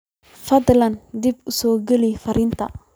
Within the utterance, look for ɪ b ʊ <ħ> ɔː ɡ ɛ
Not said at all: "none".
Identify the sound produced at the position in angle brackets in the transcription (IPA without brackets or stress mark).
s